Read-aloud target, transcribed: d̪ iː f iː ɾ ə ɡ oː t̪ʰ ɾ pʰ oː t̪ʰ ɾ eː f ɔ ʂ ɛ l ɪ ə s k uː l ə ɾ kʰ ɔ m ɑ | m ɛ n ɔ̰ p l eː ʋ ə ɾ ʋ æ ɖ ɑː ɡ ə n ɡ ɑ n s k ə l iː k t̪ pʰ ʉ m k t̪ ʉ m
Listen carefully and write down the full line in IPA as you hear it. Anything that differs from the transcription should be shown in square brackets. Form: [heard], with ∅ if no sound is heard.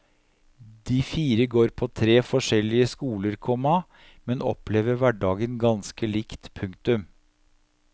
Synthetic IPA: d̪ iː f iː ɾ ə ɡ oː [∅] ɾ pʰ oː t̪ʰ ɾ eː f ɔ ʂ ɛ l ɪ ə s k uː l ə ɾ kʰ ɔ m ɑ | m ɛ n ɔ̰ p l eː ʋ ə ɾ ʋ æ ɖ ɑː ɡ ə n ɡ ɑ n s k ə l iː k t̪ pʰ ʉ [ŋ] k t̪ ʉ m